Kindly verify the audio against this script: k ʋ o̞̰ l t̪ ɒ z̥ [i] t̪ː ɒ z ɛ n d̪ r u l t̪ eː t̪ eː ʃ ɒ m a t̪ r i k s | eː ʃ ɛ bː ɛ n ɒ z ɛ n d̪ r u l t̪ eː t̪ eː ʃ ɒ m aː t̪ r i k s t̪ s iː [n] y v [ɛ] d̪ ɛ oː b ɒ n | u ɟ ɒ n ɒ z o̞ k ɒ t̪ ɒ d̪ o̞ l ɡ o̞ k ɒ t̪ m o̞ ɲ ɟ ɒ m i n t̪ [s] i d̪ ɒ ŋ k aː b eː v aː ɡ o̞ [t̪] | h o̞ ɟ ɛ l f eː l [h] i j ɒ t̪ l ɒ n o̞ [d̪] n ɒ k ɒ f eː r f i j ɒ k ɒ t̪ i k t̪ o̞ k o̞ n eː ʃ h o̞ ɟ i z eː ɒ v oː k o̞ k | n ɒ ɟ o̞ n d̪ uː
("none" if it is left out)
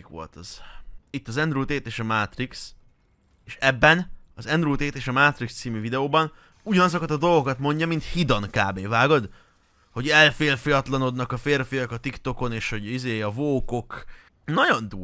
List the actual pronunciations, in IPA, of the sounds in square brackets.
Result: i, m, i, h, d̪, f, d̪

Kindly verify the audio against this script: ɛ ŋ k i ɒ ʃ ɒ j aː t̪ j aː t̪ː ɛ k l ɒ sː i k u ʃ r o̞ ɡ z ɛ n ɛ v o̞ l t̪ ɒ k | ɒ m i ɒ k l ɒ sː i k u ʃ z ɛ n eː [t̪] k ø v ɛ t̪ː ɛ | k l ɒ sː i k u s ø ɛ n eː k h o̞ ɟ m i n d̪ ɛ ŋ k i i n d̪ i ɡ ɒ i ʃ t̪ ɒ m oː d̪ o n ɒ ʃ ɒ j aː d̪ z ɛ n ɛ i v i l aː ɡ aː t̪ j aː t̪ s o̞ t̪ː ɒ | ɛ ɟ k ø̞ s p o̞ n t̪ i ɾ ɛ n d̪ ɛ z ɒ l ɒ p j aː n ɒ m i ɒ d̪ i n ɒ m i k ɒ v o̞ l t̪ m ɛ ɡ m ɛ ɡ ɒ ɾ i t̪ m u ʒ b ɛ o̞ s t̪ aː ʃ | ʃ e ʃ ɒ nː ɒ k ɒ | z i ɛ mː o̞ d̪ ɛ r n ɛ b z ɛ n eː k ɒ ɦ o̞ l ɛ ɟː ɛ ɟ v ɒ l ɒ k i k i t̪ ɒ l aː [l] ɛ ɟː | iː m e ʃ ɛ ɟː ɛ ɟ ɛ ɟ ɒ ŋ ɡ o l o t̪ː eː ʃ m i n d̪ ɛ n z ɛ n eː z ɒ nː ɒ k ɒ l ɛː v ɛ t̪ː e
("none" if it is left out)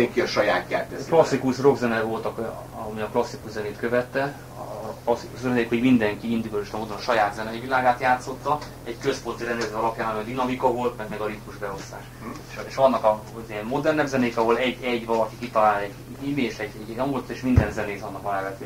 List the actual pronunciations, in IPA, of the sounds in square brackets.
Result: t̪, l

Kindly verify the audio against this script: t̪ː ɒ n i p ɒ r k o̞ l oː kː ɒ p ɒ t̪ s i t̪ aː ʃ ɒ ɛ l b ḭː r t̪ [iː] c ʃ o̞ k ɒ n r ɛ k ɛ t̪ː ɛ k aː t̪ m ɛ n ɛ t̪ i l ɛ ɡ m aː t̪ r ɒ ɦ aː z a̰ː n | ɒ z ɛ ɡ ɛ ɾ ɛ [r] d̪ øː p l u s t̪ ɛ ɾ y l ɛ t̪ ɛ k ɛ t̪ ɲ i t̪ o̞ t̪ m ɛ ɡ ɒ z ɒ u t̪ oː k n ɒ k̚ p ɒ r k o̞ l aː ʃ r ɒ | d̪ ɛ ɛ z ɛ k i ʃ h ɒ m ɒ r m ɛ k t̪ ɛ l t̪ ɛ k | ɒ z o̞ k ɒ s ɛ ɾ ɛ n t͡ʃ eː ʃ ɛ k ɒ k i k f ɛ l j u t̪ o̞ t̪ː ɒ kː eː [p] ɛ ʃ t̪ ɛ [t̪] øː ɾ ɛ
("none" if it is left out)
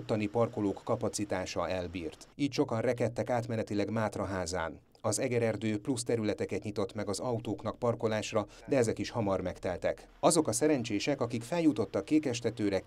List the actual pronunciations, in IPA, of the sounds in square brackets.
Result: iː, r, k, t̪

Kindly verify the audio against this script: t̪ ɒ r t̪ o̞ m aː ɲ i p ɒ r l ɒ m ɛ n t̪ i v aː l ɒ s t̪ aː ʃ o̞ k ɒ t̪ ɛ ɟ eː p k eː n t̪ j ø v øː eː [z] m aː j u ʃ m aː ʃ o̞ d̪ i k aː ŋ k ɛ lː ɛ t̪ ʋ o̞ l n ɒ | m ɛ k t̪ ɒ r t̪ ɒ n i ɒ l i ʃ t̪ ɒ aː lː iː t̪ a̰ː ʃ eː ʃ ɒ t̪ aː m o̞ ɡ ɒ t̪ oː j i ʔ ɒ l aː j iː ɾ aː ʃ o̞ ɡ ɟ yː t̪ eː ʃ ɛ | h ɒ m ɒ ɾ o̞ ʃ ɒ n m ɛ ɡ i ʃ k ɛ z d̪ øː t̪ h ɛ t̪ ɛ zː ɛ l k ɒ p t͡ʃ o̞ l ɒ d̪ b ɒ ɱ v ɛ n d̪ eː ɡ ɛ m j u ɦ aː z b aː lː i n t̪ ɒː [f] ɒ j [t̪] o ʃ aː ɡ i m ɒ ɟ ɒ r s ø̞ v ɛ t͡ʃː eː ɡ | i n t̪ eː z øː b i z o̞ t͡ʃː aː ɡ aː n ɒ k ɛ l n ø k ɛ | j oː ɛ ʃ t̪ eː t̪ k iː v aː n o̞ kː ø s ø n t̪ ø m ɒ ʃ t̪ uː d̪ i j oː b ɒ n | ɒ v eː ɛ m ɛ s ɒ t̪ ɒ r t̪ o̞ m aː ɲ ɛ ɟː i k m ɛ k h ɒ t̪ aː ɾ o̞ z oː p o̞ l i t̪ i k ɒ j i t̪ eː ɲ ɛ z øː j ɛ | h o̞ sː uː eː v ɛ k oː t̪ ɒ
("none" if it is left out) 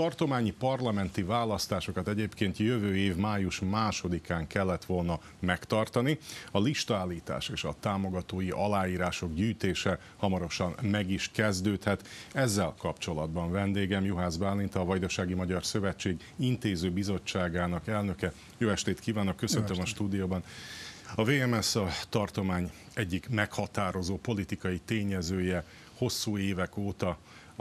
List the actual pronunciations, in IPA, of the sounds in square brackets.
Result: v, v, d̪

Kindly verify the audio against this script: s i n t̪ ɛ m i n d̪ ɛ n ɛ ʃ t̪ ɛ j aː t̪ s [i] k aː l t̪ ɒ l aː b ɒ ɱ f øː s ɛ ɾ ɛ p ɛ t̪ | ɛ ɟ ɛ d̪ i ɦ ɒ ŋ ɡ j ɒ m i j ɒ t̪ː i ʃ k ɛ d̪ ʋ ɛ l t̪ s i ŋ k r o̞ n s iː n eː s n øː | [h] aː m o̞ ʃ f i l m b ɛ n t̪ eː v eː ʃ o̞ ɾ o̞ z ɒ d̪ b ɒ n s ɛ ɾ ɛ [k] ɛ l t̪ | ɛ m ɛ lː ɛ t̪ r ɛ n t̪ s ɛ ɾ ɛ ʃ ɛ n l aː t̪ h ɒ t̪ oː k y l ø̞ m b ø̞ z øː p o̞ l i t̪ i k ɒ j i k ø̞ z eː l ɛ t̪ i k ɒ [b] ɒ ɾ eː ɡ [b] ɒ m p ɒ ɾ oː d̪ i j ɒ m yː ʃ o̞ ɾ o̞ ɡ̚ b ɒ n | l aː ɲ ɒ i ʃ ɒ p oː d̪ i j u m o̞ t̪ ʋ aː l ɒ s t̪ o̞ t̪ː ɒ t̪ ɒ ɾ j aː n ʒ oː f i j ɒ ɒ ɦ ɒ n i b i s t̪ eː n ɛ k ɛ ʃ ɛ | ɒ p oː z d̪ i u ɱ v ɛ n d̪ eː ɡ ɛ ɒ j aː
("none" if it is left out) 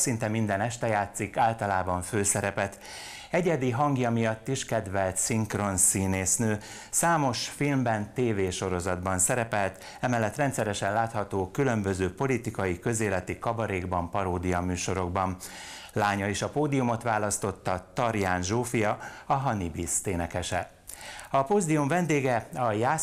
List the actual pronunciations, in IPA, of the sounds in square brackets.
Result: i, s, p, b, b

